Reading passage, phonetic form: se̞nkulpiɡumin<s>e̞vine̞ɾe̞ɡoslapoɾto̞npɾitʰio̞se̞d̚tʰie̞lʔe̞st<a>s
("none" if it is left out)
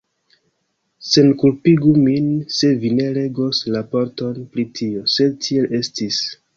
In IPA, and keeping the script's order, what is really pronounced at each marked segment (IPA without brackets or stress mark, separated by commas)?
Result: s, i